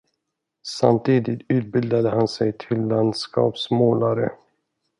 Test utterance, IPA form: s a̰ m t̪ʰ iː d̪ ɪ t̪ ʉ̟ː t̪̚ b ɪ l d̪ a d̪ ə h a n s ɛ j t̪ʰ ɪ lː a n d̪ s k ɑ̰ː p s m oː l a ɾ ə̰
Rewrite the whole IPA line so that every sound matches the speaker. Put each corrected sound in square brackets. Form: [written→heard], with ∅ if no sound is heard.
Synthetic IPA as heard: s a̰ m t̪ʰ iː d̪ ɪ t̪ ʉ̟ː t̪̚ b ɪ l d̪ a d̪ ə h a n s ɛ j t̪ʰ ɪ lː a n d̪ s k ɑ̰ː p s m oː l a ɾ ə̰